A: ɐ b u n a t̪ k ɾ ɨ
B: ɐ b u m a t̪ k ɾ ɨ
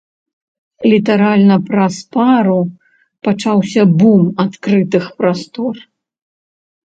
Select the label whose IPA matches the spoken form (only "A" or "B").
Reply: B